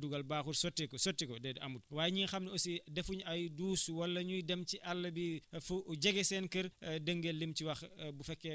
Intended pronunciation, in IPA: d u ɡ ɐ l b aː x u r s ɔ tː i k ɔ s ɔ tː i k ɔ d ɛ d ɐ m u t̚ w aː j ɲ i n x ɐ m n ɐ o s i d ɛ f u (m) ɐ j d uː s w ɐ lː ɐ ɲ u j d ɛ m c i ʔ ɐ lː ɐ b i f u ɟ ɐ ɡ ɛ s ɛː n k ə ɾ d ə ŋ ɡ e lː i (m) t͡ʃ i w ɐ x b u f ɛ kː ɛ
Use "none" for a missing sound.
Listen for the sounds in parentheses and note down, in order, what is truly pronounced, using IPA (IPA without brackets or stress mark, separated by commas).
ɲ, m